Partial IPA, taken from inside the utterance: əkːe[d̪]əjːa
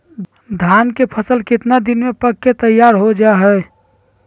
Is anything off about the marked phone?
yes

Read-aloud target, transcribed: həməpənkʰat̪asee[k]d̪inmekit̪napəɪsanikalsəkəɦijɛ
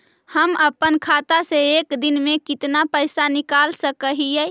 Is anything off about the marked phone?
no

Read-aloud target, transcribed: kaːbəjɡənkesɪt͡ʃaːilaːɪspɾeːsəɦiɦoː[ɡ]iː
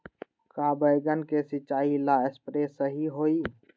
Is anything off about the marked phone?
yes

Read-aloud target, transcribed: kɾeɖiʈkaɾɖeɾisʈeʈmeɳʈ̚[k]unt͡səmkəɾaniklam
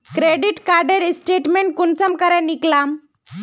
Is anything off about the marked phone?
no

